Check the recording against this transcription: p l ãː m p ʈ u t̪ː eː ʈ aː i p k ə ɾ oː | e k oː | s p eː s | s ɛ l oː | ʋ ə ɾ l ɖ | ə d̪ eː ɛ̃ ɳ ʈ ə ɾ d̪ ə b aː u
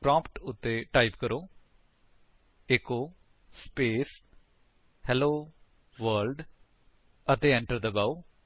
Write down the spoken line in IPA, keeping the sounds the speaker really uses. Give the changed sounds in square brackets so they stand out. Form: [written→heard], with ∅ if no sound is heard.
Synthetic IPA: p [l→ɾ] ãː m p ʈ [u→ʊ] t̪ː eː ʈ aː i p k ə ɾ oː | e k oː | s p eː s | [s→h] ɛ l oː | ʋ ə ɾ l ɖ | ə [d̪→t̪] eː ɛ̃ ɳ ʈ ə ɾ d̪ ə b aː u